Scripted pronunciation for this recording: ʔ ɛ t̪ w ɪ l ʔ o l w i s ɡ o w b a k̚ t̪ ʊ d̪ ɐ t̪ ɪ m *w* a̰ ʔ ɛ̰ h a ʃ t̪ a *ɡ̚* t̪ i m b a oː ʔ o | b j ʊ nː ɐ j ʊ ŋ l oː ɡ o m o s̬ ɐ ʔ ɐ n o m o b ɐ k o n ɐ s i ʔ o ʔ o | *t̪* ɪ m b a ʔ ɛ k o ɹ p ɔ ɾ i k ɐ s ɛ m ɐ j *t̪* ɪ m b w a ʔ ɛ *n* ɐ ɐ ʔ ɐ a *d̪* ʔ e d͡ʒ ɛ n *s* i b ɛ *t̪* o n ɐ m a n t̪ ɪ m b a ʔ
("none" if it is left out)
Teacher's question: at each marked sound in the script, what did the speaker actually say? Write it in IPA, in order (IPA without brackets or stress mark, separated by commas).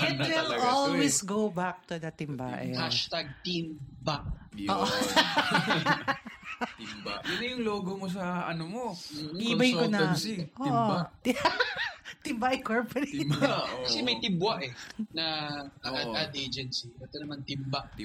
b, ɡ̚, t̪, t̪, n, d̪, s, t̪